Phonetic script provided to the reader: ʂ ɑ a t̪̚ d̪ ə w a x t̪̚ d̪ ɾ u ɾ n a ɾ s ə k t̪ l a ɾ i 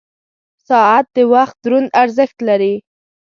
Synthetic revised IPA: s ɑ a t̪̚ d̪ ə w a x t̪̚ d̪ ɾ u n a ɾ z ə x t̪ l a ɾ i